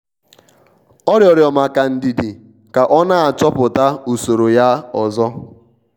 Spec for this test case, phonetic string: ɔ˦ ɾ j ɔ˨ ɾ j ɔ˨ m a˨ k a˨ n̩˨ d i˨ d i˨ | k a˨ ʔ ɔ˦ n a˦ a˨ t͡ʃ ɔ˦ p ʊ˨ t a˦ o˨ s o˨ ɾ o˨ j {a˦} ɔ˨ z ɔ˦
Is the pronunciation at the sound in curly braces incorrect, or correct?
correct